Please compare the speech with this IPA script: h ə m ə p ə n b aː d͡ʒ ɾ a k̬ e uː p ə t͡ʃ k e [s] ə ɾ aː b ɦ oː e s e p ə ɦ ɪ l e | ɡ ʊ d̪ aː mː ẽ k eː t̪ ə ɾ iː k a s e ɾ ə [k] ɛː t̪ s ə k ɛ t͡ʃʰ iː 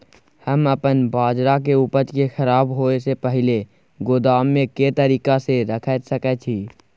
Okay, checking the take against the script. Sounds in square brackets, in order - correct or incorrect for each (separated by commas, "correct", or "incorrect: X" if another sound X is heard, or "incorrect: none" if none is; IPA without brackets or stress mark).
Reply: incorrect: x, incorrect: kʰ